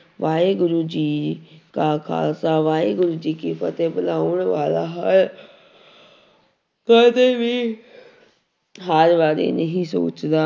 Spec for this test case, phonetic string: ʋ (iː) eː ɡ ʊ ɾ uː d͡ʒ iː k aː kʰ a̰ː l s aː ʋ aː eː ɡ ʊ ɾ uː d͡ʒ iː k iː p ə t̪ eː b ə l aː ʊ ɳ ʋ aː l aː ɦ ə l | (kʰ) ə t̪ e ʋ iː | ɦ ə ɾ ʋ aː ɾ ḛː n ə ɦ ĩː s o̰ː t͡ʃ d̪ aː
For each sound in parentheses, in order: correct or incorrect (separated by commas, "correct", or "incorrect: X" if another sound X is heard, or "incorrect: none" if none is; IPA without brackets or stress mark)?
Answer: incorrect: aː, incorrect: k